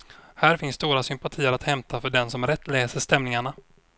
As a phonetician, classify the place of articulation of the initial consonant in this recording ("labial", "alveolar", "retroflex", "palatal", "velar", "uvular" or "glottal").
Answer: glottal